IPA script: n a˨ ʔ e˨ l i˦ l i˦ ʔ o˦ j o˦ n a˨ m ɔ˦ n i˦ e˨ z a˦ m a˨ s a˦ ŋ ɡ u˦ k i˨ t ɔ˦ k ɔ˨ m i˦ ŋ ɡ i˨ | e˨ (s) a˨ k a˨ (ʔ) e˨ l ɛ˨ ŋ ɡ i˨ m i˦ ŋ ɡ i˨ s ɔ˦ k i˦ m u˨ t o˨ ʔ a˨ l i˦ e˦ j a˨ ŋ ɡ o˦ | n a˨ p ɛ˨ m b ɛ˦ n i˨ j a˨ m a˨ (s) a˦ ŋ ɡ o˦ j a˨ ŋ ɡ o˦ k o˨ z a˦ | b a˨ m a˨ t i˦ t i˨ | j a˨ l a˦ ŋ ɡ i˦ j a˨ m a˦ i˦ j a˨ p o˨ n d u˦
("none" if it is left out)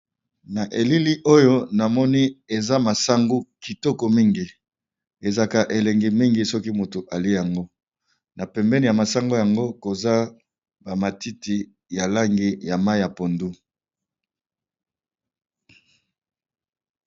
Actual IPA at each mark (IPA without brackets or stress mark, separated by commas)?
z, ʔ, s